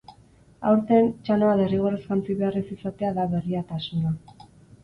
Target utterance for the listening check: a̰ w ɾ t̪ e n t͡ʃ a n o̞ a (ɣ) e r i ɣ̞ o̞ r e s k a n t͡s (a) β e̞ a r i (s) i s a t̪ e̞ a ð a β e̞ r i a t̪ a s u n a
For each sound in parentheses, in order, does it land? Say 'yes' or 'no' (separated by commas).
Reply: no, no, yes